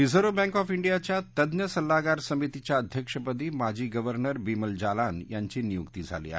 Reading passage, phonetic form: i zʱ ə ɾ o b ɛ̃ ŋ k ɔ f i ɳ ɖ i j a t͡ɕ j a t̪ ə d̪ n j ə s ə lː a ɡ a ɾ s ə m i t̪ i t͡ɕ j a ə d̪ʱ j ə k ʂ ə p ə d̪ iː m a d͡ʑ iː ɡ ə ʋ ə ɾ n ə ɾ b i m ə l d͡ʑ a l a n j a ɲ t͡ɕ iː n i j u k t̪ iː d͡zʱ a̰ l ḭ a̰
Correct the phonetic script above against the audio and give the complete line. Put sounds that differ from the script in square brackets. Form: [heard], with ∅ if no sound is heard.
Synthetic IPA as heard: i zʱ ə ɾ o b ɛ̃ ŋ k ɔ f i ɳ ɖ i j a t͡ɕ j a t̪ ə d̪ n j ə s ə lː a ɡ a ɾ s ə m i t̪ i t͡ɕ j a ə d̪ʱ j ə k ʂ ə p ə d̪ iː m a d͡ʑ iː ɡ ə ʋ ə ɾ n ə ɾ b i m ə l d͡ʑ a l a n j a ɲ t͡ɕ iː n i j u k t̪ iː d͡zʱ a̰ l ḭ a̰